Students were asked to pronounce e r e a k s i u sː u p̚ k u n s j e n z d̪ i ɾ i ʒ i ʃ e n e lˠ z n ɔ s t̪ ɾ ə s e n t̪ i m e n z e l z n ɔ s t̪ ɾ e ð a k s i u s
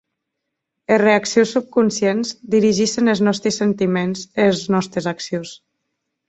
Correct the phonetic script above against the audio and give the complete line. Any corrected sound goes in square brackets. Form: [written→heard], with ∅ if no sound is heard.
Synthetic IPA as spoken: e r e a k s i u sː u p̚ k u n s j e n z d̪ i ɾ i ʒ i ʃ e n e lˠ z n ɔ s t̪ ɾ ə s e n t̪ i m e n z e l z n ɔ s t̪ ɾ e [ð→z] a k s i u s